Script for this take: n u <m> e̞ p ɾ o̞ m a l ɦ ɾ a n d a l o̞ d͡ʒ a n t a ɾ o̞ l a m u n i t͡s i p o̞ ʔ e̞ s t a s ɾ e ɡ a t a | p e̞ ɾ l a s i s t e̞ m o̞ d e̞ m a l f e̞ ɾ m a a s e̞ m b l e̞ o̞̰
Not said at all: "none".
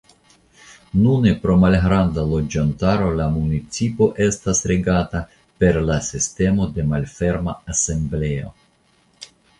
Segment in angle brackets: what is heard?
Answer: n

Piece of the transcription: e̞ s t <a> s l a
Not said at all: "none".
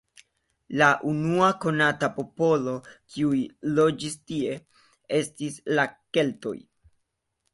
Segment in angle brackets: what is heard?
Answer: i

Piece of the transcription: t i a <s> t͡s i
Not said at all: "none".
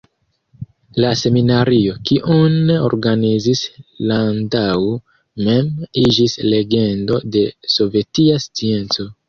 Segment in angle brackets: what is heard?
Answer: s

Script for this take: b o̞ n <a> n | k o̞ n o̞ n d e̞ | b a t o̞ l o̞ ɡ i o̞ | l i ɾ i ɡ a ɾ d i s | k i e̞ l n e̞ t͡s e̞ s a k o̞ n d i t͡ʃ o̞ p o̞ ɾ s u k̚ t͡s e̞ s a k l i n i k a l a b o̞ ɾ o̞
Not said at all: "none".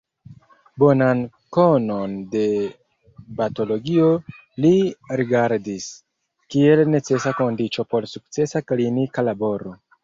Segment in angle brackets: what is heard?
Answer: a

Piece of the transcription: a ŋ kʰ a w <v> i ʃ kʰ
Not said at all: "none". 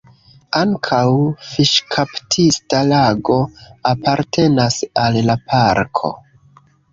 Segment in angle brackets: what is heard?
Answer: f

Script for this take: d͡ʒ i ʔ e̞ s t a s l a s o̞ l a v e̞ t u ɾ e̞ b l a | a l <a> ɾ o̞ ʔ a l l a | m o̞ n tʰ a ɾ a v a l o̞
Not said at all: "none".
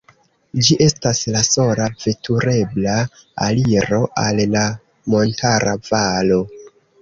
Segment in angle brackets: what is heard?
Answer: i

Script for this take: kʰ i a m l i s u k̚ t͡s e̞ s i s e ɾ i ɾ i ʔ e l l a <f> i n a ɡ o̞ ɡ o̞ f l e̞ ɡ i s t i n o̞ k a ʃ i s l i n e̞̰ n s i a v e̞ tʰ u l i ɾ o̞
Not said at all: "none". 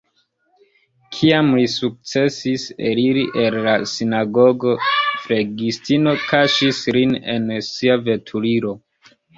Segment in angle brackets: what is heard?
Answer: s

